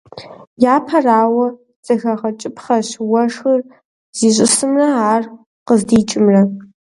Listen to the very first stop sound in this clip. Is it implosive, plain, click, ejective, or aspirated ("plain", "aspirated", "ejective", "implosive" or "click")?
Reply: aspirated